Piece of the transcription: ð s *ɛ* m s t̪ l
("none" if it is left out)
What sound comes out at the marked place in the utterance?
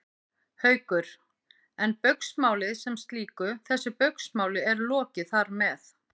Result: ɛ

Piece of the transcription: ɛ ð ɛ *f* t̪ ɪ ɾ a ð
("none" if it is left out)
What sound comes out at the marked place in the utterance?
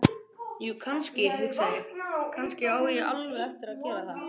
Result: f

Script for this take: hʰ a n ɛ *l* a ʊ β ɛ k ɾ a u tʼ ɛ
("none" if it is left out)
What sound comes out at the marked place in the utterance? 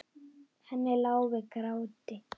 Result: l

